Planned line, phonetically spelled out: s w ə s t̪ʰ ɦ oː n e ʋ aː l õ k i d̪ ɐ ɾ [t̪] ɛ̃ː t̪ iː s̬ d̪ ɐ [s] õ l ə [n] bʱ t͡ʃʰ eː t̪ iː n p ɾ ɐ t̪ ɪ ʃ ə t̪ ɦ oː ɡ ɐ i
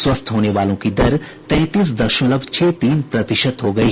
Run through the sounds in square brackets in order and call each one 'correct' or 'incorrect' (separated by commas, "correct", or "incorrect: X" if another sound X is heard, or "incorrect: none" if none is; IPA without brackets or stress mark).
correct, incorrect: ʃ, incorrect: none